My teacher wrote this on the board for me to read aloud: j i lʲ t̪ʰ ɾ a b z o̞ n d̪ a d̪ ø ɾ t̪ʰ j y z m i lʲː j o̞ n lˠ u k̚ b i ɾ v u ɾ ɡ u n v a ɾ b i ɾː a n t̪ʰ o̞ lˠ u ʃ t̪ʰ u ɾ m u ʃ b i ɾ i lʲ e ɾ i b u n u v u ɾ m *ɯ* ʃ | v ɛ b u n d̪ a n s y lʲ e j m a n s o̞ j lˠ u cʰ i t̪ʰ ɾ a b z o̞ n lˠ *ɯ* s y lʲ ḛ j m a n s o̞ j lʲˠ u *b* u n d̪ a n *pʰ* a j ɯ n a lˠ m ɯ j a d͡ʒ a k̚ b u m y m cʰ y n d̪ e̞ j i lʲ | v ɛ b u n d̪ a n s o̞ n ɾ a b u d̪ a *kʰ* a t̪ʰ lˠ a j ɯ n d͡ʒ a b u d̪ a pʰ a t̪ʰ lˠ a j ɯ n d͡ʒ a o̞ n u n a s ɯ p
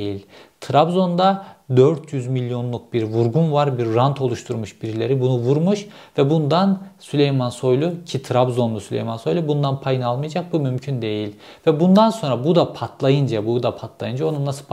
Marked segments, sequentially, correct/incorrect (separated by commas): incorrect, incorrect, correct, correct, incorrect